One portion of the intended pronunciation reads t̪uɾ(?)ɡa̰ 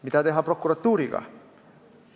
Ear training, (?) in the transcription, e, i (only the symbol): i